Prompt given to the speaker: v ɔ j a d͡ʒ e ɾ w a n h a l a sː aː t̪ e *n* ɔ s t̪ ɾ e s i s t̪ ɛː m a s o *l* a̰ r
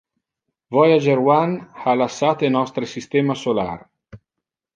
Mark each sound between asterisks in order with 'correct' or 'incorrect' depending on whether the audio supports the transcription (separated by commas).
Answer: correct, correct